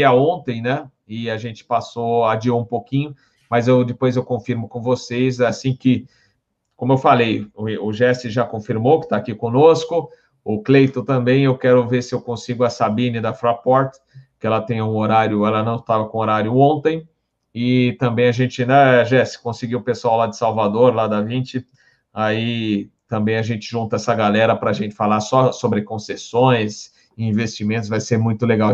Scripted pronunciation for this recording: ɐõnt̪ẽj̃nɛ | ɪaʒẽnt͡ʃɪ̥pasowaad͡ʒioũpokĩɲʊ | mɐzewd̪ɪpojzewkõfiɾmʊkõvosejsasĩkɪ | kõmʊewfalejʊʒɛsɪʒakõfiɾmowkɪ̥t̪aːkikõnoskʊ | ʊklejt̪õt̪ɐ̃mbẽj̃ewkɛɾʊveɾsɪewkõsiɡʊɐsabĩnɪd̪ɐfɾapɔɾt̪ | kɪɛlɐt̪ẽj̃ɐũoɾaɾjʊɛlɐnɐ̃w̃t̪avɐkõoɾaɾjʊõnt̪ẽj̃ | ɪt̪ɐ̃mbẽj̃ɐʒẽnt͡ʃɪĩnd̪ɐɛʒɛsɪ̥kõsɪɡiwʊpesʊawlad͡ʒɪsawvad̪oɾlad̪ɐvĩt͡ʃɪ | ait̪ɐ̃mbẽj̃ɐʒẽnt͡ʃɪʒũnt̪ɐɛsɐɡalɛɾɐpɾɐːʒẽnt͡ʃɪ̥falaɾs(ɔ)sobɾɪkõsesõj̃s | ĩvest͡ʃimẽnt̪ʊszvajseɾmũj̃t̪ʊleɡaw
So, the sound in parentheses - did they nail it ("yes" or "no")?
yes